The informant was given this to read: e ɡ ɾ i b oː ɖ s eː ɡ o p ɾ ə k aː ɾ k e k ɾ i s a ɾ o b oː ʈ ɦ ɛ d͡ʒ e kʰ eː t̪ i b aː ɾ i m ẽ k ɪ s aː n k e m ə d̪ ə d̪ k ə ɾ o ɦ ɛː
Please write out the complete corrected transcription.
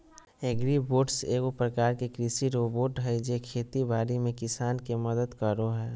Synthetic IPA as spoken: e ɡ ɾ i b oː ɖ s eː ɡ o p ɾ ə k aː ɾ k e k ɾ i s i ɾ o b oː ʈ ɦ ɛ d͡ʒ e kʰ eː t̪ i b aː ɾ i m ẽ k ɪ s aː n k e m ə d̪ ə d̪ k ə ɾ o ɦ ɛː